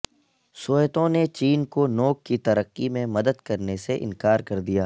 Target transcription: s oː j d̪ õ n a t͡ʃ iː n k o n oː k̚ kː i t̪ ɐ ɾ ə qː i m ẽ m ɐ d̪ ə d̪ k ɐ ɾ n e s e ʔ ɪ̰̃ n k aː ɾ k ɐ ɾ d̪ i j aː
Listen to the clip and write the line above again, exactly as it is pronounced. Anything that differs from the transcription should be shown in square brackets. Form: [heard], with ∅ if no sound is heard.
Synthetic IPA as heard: s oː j [t̪] õ n [e] t͡ʃ iː n k o n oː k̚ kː i t̪ ɐ ɾ ə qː i m ẽ m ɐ d̪ ə d̪ k ɐ ɾ n e s e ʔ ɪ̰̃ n k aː ɾ k ɐ ɾ d̪ i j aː